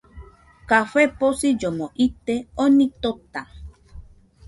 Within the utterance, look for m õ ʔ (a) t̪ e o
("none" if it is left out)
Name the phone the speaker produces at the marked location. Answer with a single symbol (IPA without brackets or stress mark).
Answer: i